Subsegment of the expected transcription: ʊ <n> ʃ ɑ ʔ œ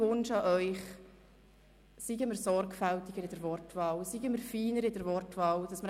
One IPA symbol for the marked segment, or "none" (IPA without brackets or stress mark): n